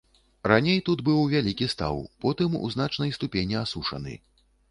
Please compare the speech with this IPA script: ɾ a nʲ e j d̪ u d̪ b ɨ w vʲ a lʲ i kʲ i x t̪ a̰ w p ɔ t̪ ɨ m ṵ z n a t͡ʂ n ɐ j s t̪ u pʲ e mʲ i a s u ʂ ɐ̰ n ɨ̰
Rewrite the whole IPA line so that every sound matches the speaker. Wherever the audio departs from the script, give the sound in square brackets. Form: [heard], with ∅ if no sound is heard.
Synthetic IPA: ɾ a nʲ e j [t̪] u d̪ b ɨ w vʲ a lʲ i kʲ i [s] t̪ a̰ w p ɔ t̪ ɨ m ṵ z n a t͡ʂ n ɐ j s t̪ u pʲ e [nʲ] i a s u ʂ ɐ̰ n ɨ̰